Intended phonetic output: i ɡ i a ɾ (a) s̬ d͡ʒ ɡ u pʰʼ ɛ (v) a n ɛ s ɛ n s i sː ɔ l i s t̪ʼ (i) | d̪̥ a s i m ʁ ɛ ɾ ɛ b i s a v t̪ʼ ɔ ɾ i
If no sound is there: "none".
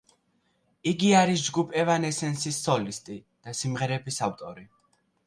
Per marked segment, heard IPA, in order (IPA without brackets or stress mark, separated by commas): i, v, i